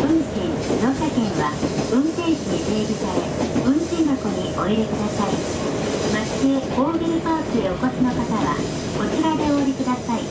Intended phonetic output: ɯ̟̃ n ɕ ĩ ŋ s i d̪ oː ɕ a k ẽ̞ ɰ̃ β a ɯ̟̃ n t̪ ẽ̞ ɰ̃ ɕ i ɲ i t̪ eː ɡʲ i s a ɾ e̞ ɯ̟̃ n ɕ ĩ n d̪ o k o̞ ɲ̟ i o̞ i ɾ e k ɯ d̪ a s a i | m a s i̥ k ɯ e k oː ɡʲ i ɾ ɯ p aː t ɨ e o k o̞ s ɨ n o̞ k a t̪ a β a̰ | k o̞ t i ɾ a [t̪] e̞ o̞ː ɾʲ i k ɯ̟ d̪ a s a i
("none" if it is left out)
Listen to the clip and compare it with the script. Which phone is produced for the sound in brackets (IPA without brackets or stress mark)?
d̪